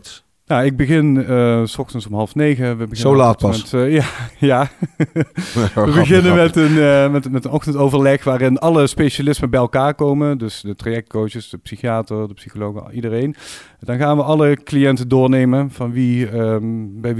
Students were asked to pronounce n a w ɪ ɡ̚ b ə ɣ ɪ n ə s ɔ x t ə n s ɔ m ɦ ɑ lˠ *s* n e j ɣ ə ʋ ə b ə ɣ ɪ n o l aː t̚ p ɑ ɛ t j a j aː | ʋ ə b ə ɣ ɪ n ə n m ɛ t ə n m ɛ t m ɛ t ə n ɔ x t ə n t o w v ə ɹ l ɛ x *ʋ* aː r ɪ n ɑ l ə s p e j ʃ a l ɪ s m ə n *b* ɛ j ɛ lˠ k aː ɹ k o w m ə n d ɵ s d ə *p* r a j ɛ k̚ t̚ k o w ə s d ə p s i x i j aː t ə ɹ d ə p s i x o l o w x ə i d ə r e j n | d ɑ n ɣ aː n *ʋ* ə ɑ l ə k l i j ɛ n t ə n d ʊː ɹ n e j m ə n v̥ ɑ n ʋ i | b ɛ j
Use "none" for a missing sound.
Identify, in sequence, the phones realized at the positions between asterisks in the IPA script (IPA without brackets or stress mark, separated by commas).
f, ʋ, b, t, ʋ